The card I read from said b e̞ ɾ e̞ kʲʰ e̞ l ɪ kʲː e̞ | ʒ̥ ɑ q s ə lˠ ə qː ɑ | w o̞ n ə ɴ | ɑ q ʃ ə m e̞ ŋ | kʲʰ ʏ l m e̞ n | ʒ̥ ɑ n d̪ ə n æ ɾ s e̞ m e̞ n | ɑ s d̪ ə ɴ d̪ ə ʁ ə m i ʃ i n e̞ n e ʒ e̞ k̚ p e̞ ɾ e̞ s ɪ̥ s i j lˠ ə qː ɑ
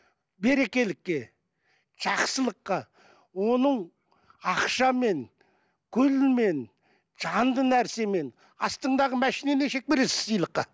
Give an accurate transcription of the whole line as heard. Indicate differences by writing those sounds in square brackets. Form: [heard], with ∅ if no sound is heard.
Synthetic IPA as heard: b e̞ ɾ e̞ [kʲ] e̞ l ɪ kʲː e̞ | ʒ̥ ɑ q s ə lˠ ə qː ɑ | w o̞ n ə ɴ | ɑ q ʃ [ɑ] m e̞ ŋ | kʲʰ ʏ l m e̞ n | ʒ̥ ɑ n d̪ ə n æ ɾ s e̞ m e̞ n | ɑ s [t̪] ə ɴ d̪ [ɑ] ʁ ə m [æ] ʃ i n e̞ n e [ʃ] e̞ k̚ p e̞ ɾ e̞ s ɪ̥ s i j lˠ ə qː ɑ